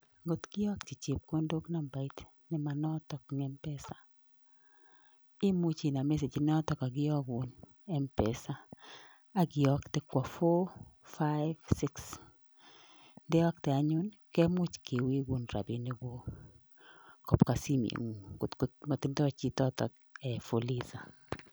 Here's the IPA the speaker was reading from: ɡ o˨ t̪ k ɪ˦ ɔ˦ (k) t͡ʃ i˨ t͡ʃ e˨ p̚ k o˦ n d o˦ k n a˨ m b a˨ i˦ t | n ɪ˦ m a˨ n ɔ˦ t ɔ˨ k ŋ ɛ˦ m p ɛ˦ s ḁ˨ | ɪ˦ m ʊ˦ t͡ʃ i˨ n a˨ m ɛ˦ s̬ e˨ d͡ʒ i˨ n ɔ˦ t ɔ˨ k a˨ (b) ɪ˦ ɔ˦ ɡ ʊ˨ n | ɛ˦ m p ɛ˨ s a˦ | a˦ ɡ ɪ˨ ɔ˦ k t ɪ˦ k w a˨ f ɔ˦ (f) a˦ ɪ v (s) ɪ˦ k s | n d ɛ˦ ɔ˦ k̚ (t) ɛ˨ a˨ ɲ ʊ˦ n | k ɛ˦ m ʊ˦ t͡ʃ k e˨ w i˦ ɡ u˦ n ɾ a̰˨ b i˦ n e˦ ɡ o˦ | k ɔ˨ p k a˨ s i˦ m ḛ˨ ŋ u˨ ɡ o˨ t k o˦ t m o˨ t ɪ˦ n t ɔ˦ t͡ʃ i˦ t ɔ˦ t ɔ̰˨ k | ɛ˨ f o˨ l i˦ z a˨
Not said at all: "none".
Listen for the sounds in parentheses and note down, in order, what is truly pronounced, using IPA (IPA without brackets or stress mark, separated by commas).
k, ɡ, f, s, t